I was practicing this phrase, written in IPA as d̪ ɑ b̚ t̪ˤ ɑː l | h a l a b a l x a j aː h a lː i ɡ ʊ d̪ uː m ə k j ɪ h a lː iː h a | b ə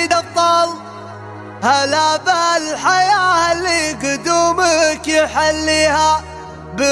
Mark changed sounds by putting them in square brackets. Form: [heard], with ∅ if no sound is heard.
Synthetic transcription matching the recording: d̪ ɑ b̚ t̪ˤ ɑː l | h a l a b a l [ħ] a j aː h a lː i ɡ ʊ d̪ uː m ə k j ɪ [ħ] a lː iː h a | b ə